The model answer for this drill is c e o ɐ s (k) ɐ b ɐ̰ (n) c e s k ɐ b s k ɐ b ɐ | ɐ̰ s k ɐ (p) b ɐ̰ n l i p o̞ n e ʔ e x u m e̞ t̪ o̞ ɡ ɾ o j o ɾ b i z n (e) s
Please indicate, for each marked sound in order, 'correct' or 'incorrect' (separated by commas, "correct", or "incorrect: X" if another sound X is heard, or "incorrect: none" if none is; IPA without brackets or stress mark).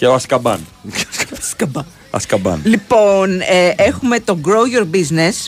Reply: correct, correct, incorrect: none, correct